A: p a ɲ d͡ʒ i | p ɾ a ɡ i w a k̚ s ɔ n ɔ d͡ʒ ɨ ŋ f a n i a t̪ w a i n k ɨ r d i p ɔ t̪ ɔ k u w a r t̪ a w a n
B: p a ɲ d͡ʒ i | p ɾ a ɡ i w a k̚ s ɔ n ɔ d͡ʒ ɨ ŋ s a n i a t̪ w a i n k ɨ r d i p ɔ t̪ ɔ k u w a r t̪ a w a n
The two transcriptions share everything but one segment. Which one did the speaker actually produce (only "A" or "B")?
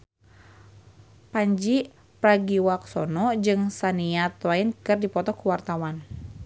B